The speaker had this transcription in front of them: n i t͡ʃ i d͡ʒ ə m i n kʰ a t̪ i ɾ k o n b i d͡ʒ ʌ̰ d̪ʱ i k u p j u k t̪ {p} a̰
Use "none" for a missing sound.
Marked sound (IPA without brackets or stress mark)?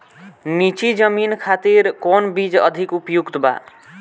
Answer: b